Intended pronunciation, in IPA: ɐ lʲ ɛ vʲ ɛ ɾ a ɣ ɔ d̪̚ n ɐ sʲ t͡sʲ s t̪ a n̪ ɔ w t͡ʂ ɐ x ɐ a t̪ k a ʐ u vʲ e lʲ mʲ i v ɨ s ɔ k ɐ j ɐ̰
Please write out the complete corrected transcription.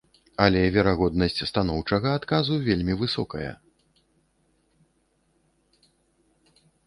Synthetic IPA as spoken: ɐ lʲ ɛ vʲ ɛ ɾ a ɣ ɔ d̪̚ n ɐ sʲ t͡sʲ s t̪ a n̪ ɔ w t͡ʂ ɐ ɣ ɐ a t̪ k a z u vʲ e lʲ mʲ i v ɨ s ɔ k ɐ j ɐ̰